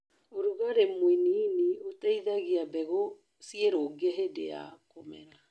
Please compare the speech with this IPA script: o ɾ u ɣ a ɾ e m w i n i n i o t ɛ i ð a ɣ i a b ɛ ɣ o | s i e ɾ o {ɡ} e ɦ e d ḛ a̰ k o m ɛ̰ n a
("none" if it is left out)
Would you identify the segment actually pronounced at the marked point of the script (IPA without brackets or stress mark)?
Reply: ɡ